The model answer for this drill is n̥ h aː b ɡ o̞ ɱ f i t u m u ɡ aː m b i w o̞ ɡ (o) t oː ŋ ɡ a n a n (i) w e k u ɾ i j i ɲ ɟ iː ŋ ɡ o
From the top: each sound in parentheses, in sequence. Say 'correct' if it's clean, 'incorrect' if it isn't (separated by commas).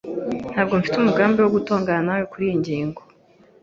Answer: incorrect, incorrect